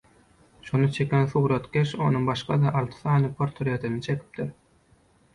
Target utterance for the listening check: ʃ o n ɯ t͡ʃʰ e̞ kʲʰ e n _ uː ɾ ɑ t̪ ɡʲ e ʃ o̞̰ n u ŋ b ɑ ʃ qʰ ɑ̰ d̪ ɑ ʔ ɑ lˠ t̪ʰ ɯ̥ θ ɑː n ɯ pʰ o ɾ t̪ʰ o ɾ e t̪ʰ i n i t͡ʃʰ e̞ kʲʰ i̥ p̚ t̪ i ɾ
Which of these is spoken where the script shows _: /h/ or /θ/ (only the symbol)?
θ